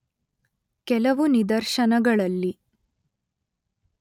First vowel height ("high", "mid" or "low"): mid